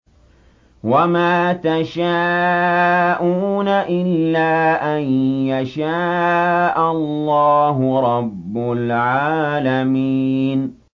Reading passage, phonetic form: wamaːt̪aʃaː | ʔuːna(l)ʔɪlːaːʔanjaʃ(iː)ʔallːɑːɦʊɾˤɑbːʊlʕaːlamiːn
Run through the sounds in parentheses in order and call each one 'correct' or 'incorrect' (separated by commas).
incorrect, incorrect